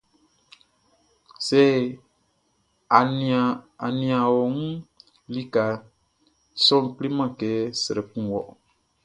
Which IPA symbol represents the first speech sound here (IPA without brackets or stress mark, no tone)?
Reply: s